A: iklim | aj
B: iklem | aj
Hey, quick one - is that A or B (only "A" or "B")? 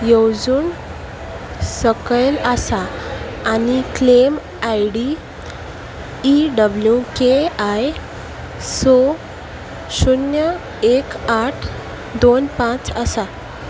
B